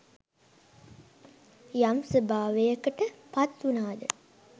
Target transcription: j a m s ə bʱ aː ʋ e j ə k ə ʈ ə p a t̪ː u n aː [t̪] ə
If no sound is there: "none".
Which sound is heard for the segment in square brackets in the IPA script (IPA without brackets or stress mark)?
d̪